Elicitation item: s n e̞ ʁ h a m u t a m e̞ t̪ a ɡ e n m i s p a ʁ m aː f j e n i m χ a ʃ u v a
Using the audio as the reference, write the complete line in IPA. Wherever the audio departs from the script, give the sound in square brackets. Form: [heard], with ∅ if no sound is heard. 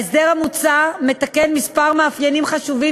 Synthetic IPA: s [d] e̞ ʁ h a m u [t͡s] a m e̞ t̪ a [k] e n m i s p a ʁ m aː f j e n i m χ a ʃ u v [i]

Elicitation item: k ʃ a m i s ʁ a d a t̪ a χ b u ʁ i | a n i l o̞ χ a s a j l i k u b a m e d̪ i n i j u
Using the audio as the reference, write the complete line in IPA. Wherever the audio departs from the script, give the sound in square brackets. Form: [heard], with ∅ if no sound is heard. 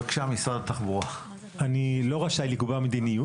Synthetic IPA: k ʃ a m i s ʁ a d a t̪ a χ b u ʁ [a] | a n i l o̞ [ʁ] a [ʃ] a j l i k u b a m e d̪ i n i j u

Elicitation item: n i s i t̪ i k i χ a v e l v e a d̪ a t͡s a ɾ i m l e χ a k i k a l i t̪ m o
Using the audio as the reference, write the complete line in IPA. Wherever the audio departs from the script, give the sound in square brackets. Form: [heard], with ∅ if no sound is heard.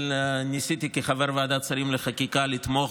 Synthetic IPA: n i s i t̪ i k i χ a v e [ɾ] v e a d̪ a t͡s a ɾ i m l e χ a k i k a l i t̪ m o

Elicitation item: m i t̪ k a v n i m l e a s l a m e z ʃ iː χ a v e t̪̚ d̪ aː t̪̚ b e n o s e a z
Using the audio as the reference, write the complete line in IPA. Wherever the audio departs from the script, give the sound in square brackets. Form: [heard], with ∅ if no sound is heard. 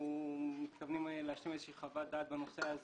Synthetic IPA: m i t̪ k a v n i m l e a [ʃ] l [i] m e z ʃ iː χ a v [a] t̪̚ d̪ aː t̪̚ b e n o s e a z

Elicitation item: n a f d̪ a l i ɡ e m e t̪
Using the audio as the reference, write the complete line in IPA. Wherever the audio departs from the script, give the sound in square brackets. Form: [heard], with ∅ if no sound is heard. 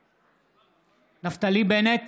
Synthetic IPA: n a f [t̪] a l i [b] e [n] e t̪

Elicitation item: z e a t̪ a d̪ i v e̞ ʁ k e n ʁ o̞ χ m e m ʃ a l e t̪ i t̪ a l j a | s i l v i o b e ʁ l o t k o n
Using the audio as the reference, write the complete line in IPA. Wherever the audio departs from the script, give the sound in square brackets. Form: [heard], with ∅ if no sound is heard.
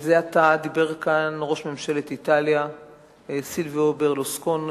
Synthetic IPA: z e a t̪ a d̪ i [b] e̞ ʁ k [a] n ʁ o̞ [ʃ] m e m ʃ [e] l e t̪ i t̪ a l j a | s i l v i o b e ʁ l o [s] k o n

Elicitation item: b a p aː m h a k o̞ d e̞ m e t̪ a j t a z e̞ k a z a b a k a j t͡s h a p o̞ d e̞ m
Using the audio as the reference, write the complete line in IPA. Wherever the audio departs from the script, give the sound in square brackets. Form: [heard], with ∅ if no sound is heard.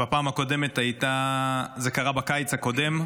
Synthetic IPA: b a p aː m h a k o̞ d e̞ m e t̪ a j t a z e̞ k a [ʁ] a b a k a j t͡s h a [k] o̞ d e̞ m

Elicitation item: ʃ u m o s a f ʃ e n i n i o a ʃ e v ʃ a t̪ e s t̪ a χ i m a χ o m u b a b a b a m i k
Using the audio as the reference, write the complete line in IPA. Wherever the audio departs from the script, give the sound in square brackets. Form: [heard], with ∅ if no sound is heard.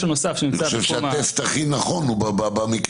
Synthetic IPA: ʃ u [n] o s a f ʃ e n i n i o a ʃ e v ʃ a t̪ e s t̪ a χ i [n] a χ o [n] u b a b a b a m i k

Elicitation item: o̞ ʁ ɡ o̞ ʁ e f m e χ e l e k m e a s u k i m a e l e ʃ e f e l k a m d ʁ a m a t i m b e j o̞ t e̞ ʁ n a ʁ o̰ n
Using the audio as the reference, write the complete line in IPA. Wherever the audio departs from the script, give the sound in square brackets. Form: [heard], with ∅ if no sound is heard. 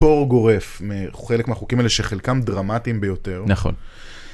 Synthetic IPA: o̞ ʁ ɡ o̞ ʁ e f m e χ e l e k m e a [χ] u k i m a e l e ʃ e [χ] e l k a m d ʁ a m a t i m b e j o̞ t e̞ ʁ n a [χ] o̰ n

